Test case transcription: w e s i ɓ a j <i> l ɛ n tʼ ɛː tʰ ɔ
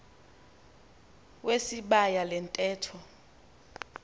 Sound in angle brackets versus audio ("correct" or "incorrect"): incorrect